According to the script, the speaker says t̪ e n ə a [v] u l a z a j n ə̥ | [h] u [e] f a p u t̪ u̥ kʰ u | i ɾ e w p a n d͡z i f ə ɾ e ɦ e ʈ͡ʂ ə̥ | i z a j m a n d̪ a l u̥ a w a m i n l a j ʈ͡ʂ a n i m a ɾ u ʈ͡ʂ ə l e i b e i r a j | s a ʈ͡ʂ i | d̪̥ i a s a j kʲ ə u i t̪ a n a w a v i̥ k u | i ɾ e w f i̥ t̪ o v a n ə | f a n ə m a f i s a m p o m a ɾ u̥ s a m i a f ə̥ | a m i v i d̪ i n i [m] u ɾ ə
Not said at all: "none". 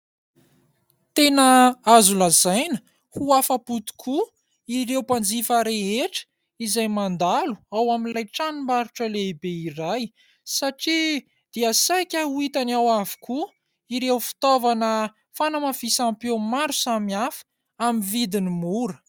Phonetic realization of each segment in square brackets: z, h, a, m

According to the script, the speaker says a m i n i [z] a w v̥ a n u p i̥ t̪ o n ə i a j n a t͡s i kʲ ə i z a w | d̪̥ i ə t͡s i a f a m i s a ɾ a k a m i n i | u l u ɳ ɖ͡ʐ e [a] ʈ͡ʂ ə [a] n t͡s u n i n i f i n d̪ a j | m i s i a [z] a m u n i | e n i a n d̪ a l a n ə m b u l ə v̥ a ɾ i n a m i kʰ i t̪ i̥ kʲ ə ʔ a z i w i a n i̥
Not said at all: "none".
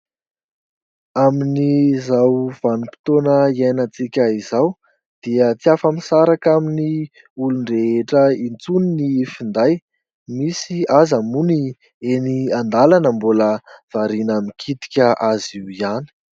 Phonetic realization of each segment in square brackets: z, e, i, z

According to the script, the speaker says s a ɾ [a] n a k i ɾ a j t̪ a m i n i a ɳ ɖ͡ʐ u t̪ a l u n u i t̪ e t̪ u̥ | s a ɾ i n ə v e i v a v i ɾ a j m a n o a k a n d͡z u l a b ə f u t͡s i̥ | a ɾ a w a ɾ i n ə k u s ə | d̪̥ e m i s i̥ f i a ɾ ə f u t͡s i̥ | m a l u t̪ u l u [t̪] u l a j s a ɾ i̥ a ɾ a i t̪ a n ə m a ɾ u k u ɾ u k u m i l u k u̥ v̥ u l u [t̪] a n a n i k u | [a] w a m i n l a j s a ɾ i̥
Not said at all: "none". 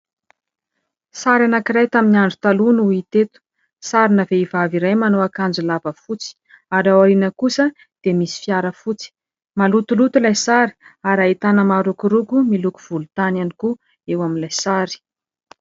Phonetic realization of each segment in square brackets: a, t̪, t̪, e

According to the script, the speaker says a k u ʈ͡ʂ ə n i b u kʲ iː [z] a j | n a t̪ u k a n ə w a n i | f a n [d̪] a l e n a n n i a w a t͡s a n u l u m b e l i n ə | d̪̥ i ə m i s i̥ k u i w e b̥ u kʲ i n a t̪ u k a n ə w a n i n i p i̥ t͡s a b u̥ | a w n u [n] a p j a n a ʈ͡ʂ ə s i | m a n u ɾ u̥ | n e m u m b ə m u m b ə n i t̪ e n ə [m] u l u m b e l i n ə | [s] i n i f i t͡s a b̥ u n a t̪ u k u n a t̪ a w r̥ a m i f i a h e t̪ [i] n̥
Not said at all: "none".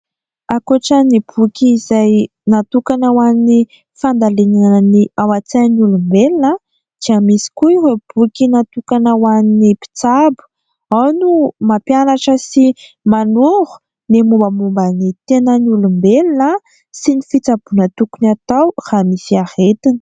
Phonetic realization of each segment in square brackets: z, d̪, m, n, s, i

